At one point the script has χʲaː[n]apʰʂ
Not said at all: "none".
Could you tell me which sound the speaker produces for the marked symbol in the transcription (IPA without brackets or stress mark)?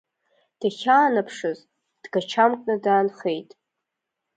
n